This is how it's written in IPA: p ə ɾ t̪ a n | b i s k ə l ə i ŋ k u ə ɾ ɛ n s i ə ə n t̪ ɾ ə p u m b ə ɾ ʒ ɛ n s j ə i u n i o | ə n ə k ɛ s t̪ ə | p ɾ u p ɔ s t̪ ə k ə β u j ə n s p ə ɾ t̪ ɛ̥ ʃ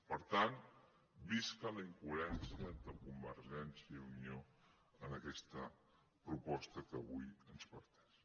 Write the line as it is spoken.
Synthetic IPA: p ə ɾ t̪ a n | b i s k ə l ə i ŋ k u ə ɾ ɛ n s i ə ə n t̪ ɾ ə k u m b ə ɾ ʒ ɛ n s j ə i u n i o | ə n ə k ɛ s t̪ ə | p ɾ u p ɔ s t̪ ə k ə β u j ə n s p ə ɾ t̪ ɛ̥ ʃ